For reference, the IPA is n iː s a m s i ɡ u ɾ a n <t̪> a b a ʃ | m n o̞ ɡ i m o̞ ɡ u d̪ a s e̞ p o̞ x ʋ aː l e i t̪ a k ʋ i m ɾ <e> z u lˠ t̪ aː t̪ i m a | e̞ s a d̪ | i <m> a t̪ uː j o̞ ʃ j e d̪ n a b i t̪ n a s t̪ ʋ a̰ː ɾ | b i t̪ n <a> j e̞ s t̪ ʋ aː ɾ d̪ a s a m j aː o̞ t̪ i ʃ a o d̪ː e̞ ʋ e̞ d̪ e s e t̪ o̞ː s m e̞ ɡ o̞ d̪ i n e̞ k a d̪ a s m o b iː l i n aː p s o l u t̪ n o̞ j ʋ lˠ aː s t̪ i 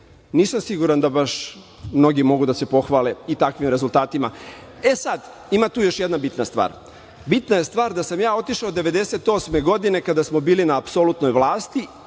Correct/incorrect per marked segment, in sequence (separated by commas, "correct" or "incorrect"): incorrect, correct, correct, correct